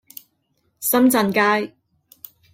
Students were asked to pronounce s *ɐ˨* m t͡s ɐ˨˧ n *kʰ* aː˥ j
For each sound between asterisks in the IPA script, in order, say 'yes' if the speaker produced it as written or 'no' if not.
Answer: no, no

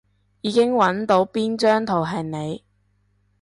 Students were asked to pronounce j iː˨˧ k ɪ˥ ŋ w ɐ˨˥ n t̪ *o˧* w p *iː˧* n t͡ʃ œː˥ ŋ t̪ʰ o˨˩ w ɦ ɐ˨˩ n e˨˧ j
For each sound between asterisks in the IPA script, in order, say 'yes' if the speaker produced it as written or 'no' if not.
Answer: no, no

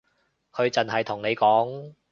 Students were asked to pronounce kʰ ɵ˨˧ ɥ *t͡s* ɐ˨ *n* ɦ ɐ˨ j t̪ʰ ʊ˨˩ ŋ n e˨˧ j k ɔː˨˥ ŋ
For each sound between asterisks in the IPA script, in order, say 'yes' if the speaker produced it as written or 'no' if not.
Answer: yes, yes

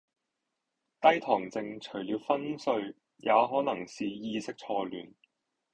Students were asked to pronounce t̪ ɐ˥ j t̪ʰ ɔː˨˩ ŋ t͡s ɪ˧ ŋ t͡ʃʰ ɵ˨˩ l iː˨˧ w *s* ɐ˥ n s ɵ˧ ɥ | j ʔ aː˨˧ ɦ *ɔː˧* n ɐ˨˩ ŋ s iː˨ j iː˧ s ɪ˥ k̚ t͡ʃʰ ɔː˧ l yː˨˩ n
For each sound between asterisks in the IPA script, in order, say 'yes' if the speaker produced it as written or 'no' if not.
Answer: no, no

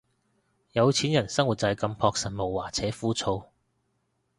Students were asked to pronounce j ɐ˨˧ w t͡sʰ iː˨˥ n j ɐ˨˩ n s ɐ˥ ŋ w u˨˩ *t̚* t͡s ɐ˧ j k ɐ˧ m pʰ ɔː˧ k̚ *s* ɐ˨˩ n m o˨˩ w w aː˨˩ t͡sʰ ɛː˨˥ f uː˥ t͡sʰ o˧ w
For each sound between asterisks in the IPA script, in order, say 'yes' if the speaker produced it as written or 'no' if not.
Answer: yes, yes

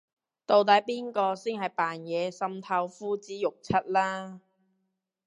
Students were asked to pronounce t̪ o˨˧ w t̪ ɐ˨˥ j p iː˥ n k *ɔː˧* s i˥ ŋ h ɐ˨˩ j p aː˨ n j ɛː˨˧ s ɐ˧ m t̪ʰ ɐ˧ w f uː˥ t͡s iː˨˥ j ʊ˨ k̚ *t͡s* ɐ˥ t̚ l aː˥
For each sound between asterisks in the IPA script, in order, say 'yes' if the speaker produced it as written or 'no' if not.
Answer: yes, no

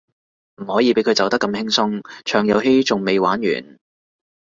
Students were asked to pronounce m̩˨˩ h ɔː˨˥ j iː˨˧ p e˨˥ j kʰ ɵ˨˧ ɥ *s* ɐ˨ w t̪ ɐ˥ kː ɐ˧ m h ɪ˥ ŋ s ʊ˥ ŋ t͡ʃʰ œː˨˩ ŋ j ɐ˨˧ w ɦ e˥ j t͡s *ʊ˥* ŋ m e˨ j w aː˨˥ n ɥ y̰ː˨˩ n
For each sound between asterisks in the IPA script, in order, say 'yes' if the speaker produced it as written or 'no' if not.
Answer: no, no

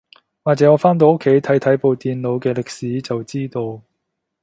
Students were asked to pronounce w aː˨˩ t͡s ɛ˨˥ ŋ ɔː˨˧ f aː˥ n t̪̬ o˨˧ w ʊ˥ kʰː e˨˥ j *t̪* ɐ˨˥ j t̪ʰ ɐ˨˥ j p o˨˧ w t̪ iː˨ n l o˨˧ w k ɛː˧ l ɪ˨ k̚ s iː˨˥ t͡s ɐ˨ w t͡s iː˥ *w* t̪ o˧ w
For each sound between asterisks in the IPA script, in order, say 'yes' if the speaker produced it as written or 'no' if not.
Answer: no, no

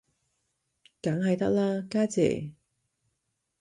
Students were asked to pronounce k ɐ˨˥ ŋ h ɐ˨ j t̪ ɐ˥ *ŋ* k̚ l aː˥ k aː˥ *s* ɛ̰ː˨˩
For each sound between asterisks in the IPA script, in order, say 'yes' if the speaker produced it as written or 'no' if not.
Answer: no, no

